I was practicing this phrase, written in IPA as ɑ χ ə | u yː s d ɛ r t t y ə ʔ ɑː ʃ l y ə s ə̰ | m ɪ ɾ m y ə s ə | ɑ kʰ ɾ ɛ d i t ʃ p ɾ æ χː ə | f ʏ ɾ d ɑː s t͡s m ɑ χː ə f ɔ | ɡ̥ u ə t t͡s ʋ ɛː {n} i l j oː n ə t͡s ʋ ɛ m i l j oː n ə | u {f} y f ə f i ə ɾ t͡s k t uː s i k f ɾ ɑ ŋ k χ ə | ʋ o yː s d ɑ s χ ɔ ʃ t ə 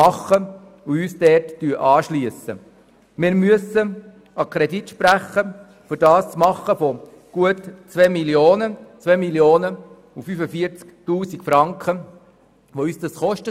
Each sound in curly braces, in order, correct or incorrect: incorrect: m, correct

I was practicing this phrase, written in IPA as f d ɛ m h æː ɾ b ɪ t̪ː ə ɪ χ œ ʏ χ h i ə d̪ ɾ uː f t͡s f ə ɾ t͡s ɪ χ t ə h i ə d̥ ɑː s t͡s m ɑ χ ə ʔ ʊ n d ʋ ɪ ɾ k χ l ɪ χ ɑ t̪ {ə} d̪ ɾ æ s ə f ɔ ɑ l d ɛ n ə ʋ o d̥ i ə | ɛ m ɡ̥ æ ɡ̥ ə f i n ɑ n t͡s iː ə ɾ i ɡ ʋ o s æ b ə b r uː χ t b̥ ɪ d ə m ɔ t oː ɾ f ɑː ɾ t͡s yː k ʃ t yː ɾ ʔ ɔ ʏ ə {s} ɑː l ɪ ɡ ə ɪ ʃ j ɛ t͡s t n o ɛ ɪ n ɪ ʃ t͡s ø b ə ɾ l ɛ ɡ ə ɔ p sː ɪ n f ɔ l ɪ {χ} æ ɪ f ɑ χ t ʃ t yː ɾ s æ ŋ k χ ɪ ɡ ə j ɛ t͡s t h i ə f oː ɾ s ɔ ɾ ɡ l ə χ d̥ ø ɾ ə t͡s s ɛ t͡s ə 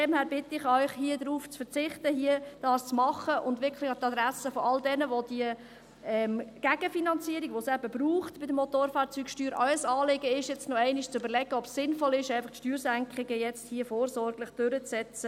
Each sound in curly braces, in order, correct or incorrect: incorrect: ɑ, correct, incorrect: ʃ

